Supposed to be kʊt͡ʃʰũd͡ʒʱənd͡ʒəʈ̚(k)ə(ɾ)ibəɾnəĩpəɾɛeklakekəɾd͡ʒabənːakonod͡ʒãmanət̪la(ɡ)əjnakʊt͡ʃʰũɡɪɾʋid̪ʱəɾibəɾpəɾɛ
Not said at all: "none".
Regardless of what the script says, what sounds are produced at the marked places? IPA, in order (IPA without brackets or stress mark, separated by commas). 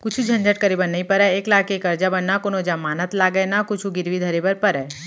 k, ɾ, ɡ